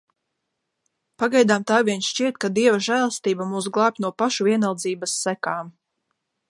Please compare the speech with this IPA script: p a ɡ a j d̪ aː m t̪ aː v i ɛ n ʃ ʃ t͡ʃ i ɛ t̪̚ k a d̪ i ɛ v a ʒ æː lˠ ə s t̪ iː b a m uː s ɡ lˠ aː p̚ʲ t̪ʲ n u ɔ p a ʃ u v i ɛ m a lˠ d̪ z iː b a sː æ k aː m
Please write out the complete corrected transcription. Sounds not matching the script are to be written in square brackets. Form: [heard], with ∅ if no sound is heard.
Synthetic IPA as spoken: p a ɡ a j d̪ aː m t̪ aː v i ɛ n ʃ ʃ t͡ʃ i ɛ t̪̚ k a d̪ i ɛ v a ʒ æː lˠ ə s t̪ iː b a m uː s ɡ lˠ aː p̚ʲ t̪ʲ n u ɔ p a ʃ u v i ɛ [n] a lˠ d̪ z iː b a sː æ k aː m